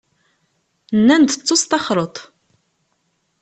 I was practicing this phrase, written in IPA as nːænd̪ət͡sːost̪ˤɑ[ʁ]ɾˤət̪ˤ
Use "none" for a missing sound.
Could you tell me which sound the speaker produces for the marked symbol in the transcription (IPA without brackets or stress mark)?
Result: χ